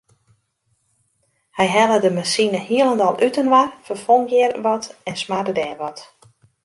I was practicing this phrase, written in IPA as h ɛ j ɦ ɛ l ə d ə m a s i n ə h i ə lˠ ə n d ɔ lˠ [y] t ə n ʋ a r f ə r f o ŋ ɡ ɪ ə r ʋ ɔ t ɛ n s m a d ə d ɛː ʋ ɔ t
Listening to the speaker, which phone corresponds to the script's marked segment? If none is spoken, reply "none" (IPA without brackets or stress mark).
y